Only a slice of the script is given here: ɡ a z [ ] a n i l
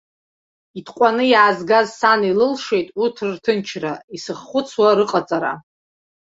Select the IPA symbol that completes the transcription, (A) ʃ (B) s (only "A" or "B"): B